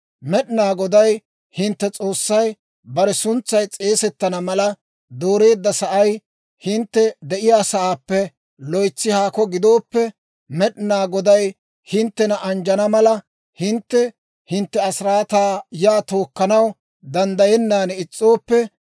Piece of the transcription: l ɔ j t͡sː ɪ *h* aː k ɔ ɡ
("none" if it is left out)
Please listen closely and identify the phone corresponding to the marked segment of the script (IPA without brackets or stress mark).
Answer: h